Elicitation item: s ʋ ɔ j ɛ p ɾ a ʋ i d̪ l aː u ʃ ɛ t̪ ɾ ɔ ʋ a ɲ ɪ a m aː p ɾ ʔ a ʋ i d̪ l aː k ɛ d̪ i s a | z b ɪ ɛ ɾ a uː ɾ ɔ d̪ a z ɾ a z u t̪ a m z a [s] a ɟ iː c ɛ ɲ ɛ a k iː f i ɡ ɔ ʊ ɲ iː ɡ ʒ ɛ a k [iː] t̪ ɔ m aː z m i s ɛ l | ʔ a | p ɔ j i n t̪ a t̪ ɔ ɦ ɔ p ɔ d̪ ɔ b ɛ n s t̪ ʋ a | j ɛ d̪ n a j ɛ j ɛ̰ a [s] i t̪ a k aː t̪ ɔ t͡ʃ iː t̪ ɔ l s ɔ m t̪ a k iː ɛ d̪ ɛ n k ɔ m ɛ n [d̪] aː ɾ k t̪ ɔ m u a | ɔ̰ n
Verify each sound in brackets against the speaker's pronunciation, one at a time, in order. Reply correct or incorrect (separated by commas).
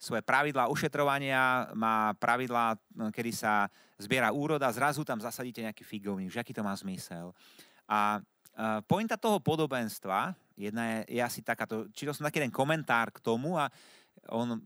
correct, correct, correct, incorrect